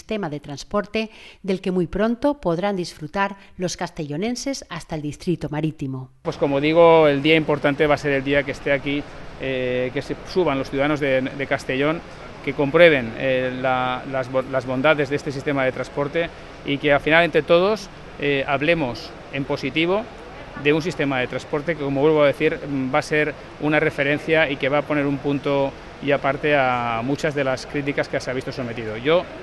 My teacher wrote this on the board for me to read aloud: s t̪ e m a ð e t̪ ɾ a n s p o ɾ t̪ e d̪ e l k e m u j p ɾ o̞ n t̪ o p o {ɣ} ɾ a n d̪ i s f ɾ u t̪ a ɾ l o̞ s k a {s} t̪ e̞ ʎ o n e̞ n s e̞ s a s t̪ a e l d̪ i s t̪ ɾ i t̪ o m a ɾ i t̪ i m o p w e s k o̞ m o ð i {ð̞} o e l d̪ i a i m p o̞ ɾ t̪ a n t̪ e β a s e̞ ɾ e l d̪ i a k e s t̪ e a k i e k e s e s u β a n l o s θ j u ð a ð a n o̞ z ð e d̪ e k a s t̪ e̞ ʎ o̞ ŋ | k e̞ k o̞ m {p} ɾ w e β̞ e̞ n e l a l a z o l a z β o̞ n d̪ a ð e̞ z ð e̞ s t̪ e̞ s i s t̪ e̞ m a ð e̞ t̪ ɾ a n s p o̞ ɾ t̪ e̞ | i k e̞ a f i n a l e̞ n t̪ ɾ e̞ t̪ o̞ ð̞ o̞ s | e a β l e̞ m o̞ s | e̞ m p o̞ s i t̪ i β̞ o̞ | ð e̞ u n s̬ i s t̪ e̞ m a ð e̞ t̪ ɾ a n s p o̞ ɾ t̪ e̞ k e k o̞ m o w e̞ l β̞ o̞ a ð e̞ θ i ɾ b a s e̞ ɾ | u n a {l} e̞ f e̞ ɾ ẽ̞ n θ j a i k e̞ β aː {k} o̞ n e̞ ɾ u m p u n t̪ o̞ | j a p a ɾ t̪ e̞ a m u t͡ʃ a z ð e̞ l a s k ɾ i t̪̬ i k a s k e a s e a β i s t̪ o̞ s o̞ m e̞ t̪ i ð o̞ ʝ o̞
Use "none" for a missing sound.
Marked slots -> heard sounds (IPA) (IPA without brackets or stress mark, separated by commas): ð, s, ɣ̞, p, r, p